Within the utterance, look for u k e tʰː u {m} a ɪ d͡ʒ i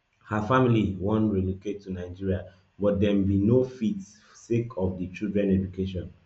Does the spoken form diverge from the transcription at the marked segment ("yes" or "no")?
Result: yes